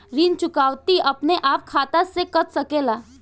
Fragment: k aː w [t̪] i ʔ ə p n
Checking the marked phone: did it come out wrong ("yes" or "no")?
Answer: no